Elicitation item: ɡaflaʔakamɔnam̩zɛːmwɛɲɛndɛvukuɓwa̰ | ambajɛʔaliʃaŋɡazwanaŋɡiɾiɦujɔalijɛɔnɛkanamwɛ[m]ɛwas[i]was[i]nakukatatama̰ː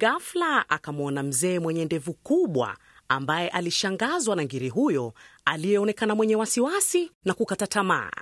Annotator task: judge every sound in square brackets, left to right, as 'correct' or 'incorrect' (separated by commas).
incorrect, correct, correct